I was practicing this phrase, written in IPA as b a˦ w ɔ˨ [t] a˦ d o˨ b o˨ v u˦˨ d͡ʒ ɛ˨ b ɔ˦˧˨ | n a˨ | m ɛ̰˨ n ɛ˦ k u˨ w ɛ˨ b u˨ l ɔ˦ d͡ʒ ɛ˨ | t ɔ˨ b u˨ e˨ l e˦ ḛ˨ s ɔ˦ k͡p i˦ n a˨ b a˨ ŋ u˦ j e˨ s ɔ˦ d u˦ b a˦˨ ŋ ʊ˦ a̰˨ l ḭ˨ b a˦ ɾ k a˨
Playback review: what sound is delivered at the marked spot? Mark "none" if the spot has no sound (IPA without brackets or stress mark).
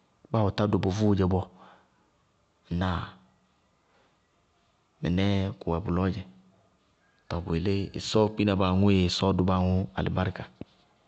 t